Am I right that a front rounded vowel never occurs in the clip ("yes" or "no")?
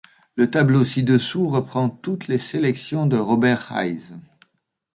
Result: yes